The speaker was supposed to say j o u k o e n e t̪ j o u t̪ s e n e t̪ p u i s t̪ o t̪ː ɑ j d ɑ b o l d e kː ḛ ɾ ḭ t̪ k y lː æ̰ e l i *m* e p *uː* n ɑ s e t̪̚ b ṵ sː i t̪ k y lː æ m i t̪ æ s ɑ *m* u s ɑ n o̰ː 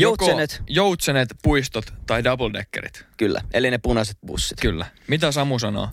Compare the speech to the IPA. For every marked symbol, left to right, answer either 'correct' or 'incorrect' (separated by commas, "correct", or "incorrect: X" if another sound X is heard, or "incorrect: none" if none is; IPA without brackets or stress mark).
incorrect: n, incorrect: u, correct